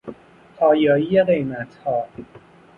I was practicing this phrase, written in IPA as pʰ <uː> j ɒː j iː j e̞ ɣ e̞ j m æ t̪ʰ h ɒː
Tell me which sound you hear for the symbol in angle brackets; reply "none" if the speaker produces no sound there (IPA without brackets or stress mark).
ɒː